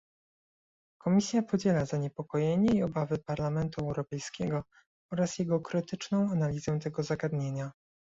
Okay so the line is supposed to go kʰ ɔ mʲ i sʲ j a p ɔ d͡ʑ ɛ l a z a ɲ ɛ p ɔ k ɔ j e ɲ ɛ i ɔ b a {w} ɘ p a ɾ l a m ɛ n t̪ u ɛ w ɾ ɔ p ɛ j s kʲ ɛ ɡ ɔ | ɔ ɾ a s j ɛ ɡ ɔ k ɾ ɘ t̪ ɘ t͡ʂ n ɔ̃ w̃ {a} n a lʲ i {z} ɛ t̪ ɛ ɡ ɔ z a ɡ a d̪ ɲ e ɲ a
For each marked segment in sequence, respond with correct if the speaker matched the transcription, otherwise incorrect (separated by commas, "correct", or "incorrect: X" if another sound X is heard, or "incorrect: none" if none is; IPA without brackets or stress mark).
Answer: incorrect: v, correct, correct